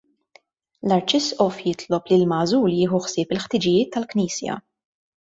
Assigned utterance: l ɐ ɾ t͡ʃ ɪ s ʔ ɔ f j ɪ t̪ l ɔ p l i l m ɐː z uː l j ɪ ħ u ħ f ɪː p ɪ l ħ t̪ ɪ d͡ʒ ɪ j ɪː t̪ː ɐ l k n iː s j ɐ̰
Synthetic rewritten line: l ɐ ɾ t͡ʃ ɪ s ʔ ɔ f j ɪ t̪ l ɔ p l i l m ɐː z uː l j ɪː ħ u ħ s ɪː p ɪ l ħ t̪ ɪ d͡ʒ ɪ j ɪː t̪ː ɐ l k n iː s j ɐ̰